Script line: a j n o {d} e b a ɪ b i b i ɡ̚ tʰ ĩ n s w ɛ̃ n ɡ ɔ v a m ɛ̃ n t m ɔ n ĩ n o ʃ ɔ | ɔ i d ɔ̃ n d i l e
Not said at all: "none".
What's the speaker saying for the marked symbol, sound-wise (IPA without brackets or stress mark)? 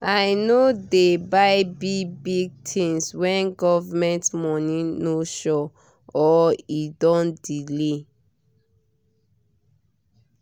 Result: d